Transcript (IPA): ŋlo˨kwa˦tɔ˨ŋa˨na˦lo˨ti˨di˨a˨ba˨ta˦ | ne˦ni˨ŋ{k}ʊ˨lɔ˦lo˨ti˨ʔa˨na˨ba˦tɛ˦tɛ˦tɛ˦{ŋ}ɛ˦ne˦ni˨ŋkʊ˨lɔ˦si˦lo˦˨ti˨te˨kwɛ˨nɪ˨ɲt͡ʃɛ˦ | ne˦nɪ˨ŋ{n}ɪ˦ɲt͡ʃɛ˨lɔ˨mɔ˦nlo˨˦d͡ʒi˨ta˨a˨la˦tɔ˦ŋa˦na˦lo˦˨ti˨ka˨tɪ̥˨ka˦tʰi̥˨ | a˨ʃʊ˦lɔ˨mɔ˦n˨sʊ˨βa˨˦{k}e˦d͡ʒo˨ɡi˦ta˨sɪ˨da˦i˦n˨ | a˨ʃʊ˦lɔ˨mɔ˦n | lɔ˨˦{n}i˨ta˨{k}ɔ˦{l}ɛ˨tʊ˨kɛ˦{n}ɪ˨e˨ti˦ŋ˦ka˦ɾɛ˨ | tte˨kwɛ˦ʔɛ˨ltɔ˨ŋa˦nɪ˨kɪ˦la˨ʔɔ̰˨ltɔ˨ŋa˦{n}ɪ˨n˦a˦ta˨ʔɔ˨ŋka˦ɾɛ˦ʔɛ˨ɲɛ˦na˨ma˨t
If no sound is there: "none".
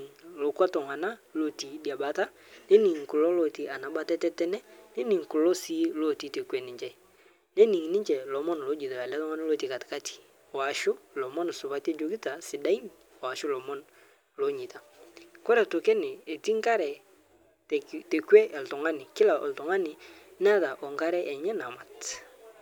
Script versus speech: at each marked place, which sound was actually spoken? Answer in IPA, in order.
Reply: k, n, n, t, ɲ, k, ɾ, n, n

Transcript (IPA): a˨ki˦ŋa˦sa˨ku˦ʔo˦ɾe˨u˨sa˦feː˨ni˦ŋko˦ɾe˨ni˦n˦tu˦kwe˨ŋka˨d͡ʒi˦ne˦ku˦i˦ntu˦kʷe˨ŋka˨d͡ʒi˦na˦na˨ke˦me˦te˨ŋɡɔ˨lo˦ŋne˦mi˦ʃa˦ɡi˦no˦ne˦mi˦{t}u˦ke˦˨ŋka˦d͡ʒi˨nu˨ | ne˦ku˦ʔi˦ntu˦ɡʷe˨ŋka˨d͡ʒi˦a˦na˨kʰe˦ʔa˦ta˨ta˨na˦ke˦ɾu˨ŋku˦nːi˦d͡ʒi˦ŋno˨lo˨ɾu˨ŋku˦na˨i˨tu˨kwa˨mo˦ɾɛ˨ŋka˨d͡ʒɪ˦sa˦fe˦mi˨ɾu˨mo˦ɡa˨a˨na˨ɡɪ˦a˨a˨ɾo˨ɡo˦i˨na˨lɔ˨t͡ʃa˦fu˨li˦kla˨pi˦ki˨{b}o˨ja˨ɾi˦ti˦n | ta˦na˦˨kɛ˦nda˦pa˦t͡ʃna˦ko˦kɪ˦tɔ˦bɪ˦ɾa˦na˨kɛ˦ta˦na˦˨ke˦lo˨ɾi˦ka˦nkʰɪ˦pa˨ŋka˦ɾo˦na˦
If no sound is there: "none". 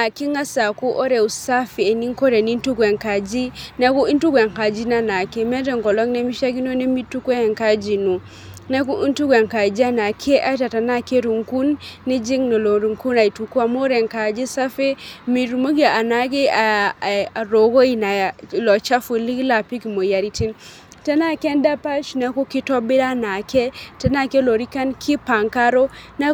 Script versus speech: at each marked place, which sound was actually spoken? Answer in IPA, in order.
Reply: t, m

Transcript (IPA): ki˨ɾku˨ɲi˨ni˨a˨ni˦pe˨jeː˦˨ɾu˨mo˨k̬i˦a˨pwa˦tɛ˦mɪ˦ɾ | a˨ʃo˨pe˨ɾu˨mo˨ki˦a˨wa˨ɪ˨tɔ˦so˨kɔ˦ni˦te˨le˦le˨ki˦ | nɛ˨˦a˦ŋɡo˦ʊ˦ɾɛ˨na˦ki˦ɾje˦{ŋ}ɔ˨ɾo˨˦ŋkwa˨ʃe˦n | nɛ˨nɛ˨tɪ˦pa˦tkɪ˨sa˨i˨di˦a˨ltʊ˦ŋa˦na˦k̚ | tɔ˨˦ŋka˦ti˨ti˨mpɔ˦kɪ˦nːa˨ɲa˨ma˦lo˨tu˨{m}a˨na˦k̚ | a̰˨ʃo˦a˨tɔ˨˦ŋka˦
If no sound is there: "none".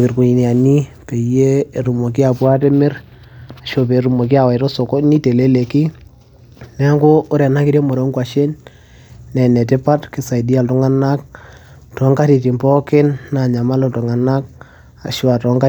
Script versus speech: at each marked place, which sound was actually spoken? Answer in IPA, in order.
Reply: m, ŋ

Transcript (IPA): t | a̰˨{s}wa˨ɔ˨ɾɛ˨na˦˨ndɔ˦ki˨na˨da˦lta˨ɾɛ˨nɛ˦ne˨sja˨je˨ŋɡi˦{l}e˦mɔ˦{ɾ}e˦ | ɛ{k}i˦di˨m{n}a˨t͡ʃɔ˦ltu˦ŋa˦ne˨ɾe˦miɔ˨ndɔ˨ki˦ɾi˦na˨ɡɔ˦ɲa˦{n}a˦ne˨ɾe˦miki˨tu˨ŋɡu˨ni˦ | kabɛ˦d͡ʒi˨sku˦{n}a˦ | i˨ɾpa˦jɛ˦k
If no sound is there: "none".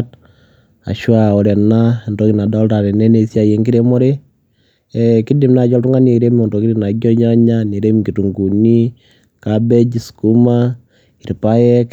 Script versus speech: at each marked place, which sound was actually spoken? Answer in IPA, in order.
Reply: ʃ, ɾ, ɾ, k, n, ɲ, m

